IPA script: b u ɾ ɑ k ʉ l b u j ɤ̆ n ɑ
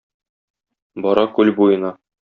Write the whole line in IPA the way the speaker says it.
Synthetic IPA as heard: b ɒ ɾ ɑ k ʉ l b u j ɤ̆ n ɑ